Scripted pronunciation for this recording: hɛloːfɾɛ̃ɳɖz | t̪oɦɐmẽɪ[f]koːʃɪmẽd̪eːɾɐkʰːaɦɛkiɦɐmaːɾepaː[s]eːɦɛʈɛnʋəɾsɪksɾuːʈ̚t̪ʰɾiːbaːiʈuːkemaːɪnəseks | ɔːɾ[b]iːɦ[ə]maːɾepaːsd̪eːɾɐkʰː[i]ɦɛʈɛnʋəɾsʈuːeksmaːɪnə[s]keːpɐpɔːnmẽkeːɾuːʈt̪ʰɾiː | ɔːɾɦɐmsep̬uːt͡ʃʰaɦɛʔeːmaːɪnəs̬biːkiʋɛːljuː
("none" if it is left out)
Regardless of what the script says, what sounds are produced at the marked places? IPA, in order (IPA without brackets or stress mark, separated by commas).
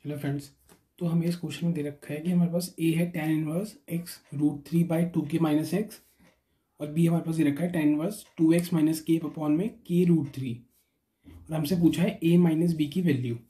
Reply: s, s, b, ɐ, a, s